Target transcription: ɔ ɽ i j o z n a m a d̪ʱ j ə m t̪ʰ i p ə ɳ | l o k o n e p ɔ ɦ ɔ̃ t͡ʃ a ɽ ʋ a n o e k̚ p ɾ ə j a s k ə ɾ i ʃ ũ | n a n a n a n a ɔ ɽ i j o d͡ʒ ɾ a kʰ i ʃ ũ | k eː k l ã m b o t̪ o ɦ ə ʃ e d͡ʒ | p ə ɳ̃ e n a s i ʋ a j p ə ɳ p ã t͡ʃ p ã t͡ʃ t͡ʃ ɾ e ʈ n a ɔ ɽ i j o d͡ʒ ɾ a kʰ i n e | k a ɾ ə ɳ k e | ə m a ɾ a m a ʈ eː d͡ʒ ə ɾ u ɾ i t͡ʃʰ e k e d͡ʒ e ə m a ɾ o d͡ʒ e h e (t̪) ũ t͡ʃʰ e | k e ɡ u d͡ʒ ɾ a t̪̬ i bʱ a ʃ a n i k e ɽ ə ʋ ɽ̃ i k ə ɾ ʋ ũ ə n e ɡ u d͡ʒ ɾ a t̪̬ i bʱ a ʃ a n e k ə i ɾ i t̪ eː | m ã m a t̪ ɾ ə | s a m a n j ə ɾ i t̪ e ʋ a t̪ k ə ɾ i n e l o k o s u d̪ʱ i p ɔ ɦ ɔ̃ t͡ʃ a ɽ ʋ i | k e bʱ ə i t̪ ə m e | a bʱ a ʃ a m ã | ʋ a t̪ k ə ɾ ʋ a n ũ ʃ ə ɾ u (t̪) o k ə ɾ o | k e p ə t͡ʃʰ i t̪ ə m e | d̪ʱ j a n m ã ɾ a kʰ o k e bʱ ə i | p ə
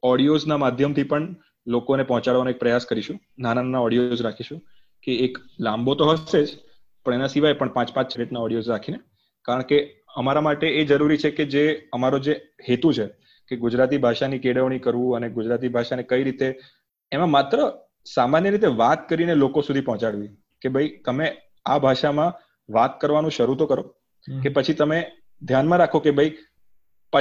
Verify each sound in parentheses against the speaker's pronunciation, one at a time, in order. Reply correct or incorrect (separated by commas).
correct, correct